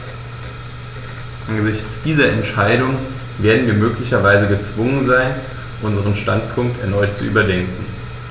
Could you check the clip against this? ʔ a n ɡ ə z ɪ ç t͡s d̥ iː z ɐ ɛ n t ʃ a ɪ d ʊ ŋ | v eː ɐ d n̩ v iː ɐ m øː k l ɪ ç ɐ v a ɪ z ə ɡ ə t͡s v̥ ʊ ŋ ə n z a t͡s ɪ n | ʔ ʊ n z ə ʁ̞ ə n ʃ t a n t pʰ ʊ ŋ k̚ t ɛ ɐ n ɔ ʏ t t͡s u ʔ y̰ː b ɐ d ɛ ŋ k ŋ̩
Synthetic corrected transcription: ʔ a n ɡ ə z ɪ ç t͡s d̥ iː z ɐ ɛ n t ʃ a ɪ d ʊ ŋ | v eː ɐ d n̩ v iː ɐ m øː k l ɪ ç ɐ v a ɪ z ə ɡ ə t͡s v̥ ʊ ŋ ə n z a ɪ n | ʔ ʊ n z ə ʁ̞ ə n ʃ t a n t pʰ ʊ ŋ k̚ t ɛ ɐ n ɔ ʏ t t͡s u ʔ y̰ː b ɐ d ɛ ŋ k ŋ̩